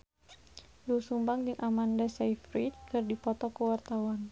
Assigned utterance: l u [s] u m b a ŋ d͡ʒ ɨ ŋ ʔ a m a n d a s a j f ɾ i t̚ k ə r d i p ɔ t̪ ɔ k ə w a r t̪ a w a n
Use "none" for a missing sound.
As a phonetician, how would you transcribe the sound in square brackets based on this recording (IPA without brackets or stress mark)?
s